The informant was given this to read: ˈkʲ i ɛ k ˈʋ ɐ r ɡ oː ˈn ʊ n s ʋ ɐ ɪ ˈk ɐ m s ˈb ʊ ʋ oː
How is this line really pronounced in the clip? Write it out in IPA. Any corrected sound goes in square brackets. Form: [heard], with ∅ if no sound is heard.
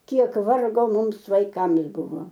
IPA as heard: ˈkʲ i ɛ k ˈʋ ɐ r ɡ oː [ˈm] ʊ [m] s ʋ ɐ ɪ ˈk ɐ m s ˈb ʊ ʋ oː